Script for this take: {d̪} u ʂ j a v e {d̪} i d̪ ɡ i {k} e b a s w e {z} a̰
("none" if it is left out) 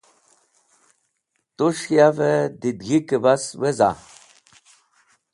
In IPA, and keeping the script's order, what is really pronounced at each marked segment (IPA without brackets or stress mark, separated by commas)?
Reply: t̪, d̪, k, z